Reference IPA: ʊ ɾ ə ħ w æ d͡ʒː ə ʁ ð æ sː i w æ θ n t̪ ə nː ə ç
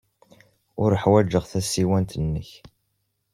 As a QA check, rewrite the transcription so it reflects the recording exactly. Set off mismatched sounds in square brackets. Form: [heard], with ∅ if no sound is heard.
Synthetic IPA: ʊ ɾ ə ħ w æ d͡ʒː ə ʁ [θ] æ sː i w æ [∅] n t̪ ə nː ə ç